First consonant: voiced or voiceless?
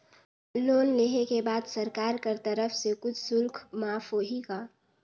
voiced